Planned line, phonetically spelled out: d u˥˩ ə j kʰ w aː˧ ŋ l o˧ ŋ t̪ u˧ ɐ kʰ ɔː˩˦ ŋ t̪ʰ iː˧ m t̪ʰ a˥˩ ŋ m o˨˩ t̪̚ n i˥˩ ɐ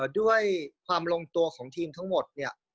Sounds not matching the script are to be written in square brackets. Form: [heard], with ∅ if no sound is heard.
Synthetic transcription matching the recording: d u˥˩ ə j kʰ w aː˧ [m] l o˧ ŋ t̪ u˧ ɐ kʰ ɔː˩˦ ŋ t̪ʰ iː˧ m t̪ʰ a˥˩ ŋ m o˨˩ t̪̚ n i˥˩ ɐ